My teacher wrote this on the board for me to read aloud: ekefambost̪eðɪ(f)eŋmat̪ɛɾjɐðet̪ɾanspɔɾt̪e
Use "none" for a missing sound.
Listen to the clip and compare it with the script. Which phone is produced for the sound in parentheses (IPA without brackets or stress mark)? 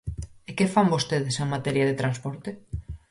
s